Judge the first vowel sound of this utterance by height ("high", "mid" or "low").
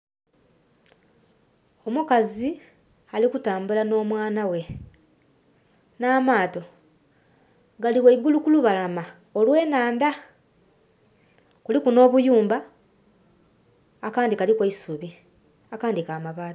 mid